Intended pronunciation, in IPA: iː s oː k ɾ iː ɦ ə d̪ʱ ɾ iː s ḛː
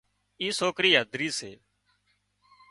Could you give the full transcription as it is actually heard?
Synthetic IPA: iː s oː k ɾ iː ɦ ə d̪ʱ ɾ iː s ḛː